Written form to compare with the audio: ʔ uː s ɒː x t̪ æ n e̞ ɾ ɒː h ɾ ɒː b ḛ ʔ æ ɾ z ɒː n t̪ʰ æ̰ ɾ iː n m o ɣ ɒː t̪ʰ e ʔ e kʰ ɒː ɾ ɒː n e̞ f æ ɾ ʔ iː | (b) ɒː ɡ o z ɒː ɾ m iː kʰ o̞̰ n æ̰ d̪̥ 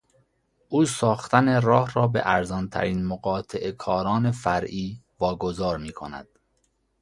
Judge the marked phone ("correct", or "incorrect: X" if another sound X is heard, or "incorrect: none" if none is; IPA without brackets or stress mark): incorrect: v